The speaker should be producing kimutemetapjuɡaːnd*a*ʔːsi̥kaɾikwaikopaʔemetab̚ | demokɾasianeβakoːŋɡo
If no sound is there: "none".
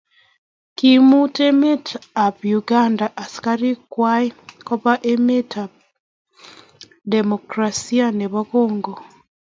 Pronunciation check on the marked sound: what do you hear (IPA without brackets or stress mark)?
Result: a